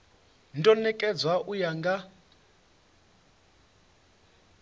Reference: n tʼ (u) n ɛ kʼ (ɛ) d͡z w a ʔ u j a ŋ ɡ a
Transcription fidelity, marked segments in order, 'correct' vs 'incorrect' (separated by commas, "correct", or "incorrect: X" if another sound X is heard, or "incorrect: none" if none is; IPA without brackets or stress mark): incorrect: ɔ, correct